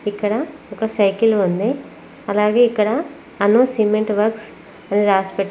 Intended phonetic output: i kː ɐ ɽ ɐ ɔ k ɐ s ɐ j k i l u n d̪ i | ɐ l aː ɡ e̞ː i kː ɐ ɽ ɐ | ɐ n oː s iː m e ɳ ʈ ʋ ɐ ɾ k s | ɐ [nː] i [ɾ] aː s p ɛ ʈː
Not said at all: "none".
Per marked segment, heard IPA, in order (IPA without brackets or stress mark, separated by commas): n, ɾ